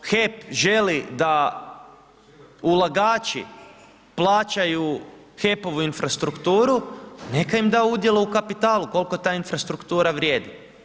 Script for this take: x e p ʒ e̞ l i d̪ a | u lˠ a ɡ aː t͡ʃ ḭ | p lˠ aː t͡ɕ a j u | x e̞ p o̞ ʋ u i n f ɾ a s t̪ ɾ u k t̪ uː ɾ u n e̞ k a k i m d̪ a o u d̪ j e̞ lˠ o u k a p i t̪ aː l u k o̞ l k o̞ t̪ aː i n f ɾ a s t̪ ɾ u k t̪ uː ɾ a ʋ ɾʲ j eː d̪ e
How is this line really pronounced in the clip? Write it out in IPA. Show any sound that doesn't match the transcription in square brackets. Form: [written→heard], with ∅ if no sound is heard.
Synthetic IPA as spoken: x e p ʒ e̞ l i d̪ a | u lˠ a ɡ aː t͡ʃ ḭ | p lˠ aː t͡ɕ a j u | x e̞ p o̞ ʋ u i n f ɾ a s t̪ ɾ u k t̪ uː ɾ u n e̞ k a [k→∅] i m d̪ a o u d̪ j e̞ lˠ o u k a p i t̪ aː l u k o̞ l k o̞ t̪ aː i n f ɾ a s t̪ ɾ u k t̪ uː ɾ a ʋ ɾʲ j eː d̪ [e→i]